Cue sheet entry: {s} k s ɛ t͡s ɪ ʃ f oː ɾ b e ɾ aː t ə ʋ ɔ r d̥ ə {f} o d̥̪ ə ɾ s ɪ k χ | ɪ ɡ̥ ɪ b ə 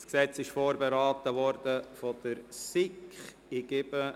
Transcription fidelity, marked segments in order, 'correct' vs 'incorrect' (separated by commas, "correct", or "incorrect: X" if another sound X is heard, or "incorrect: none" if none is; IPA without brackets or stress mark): correct, correct